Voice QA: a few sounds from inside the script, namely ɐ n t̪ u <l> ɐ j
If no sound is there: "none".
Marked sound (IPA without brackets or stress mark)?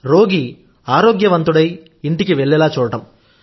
ɽ